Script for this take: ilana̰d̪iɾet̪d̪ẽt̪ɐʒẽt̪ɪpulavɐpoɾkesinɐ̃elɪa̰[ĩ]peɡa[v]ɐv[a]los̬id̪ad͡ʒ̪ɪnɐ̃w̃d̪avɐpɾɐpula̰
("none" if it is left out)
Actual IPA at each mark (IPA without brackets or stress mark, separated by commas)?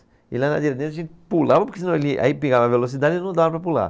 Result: i, v, e